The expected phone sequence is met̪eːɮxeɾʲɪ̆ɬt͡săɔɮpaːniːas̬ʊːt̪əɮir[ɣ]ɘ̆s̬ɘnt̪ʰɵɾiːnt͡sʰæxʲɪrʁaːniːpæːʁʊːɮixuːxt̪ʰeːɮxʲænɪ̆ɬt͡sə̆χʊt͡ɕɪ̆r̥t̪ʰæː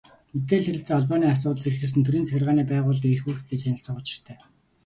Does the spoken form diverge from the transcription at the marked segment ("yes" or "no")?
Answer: yes